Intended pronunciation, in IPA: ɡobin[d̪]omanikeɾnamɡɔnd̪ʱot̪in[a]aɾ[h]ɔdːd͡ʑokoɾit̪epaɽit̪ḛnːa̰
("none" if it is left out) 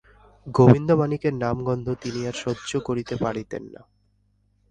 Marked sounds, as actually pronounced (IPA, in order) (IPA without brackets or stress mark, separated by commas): d̪, i, ʃ